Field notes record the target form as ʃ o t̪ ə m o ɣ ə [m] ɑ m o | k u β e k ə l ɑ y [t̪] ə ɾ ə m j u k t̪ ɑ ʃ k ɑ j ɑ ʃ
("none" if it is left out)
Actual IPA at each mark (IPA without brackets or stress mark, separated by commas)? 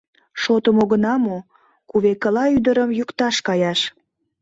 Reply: n, d̪